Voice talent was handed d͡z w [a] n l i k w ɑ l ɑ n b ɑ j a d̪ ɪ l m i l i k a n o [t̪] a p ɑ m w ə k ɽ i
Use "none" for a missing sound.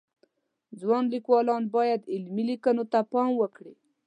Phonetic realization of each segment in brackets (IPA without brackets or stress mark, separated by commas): ɑ, t̪